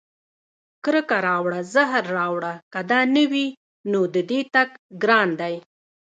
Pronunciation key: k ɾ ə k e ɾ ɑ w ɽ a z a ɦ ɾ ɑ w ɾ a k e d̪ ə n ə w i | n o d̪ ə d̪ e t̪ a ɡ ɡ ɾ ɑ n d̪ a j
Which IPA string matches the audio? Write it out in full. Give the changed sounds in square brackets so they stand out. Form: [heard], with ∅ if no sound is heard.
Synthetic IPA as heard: k ɾ ə k [a] ɾ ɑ w ɽ a z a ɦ [ɾː] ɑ w [ɽ] a k [a] d̪ [ɑ] n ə w i | n o d̪ ə d̪ e t̪ a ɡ ɡ ɾ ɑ n d̪ a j